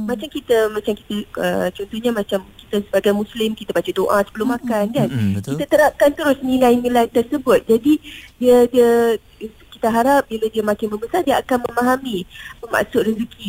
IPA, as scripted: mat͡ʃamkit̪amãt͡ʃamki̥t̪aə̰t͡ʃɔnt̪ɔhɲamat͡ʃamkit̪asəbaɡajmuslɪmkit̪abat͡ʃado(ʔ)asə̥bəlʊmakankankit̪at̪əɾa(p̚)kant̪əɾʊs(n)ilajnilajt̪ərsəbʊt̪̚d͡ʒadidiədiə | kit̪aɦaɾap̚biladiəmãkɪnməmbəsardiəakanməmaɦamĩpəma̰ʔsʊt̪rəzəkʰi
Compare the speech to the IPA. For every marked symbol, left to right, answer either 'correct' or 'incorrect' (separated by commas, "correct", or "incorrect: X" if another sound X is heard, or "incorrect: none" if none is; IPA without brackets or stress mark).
correct, correct, correct